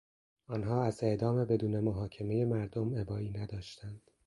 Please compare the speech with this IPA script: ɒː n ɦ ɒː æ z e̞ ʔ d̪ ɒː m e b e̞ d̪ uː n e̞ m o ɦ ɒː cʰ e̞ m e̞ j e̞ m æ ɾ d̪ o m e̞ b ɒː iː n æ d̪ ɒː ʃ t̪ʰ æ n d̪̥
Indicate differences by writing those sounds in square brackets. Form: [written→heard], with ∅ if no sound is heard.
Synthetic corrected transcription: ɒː n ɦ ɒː æ z e̞ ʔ d̪ ɒː m e b e̞ d̪ uː n e̞ m o ɦ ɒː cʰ e̞ m e̞ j e̞ m æ ɾ d̪ o m e̞ b ɒː iː n æ d̪ ɒː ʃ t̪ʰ æ n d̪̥